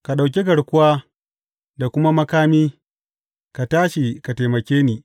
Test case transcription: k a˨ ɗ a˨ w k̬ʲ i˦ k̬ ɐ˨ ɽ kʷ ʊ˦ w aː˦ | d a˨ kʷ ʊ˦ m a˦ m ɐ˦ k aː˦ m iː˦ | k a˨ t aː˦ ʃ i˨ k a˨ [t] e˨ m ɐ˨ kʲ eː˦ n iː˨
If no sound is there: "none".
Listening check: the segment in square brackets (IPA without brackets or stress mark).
t